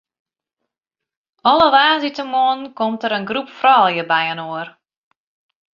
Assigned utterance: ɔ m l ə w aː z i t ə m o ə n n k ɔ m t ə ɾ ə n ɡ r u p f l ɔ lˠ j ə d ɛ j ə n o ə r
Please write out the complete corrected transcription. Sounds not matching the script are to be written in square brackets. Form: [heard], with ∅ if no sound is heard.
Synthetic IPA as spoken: ɔ [∅] l ə [ʋ] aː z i t ə m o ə n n k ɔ m t ə ɾ ə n ɡ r u p f [r] ɔ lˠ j ə [b] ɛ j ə n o ə r

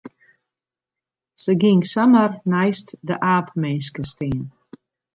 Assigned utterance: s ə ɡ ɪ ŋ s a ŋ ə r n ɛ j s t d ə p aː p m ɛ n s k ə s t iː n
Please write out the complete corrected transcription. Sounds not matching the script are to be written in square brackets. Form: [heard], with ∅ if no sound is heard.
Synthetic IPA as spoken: s ə ɡ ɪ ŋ s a [m] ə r n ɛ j s t d ə [ʔ] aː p m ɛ n s k ə s t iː n

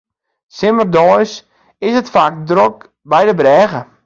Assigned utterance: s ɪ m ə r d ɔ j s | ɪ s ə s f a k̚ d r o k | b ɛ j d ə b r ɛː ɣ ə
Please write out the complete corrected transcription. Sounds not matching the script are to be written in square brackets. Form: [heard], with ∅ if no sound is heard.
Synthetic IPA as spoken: s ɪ m ə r d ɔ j s | ɪ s ə [t] f a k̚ d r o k | b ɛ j d ə b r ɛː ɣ ə

